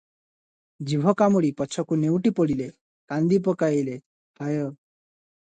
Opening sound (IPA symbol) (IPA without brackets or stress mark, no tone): d͡ʒ